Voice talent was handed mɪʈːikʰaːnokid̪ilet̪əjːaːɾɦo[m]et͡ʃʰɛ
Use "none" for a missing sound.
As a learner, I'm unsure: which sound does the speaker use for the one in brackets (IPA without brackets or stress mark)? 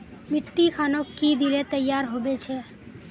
b